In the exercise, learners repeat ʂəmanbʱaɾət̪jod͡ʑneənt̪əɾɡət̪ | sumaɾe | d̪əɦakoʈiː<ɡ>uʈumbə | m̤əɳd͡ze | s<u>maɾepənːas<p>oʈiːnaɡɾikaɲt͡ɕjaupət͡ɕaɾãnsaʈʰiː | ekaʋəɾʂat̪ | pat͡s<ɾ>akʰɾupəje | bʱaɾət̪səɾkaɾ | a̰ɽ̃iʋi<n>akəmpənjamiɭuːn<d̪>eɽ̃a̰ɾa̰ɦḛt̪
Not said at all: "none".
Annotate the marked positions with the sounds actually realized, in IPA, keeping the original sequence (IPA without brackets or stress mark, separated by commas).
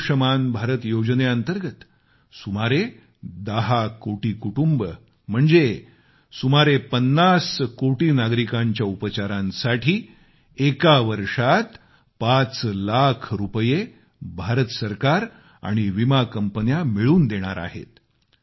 k, u, k, l, m, d̪